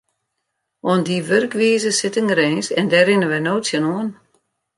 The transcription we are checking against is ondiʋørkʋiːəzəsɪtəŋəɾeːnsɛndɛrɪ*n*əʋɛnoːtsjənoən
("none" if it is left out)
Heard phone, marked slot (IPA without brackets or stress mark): n